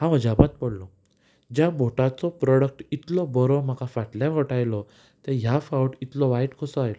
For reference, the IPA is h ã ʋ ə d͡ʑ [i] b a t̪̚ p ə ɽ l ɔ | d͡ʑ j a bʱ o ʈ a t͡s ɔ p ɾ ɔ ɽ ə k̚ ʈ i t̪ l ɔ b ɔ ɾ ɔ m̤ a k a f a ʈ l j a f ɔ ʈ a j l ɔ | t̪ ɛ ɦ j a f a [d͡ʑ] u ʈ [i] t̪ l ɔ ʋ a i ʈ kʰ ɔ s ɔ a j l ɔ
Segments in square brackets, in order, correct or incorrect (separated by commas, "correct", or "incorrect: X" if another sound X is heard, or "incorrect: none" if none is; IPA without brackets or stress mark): incorrect: a, incorrect: none, correct